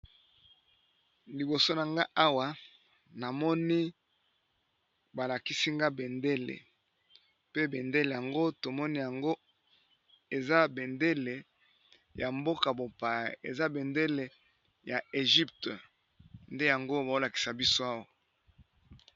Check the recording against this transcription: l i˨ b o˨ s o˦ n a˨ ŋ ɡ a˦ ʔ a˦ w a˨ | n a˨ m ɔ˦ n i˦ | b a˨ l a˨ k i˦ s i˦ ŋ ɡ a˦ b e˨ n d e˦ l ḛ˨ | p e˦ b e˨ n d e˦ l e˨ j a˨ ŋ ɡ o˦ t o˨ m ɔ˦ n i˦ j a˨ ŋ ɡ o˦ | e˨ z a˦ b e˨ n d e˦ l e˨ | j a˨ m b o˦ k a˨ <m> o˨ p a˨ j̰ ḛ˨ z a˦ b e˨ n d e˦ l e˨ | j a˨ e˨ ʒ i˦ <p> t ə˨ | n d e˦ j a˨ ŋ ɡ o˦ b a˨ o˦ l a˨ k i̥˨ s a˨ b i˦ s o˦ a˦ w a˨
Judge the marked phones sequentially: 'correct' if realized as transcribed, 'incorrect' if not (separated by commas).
incorrect, correct